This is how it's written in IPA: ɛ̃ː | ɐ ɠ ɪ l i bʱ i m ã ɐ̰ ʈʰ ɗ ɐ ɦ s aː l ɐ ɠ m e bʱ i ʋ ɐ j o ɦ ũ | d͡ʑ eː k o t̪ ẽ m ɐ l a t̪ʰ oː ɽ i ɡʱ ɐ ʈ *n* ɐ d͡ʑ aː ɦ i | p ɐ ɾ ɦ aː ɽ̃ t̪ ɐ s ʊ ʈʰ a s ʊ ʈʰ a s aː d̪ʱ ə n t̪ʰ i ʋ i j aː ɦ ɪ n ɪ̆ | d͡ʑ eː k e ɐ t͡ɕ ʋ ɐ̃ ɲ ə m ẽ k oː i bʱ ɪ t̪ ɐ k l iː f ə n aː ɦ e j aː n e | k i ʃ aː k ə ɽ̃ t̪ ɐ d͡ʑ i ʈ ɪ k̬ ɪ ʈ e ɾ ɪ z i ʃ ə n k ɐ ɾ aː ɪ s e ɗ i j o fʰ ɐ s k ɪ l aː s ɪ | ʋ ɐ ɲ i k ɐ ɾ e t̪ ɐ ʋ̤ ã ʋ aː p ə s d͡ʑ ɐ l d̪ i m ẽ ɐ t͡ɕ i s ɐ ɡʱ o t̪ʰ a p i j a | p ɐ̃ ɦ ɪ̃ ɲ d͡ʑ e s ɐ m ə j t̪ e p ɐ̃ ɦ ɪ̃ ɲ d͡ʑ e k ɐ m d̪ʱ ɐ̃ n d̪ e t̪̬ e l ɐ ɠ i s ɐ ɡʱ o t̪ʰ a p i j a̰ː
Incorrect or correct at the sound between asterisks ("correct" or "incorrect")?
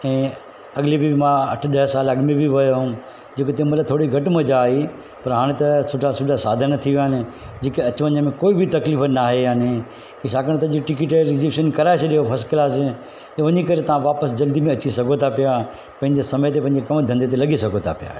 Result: incorrect